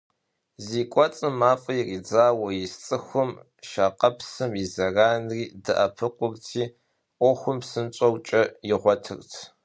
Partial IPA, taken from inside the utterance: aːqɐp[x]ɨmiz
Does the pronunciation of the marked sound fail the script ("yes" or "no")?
yes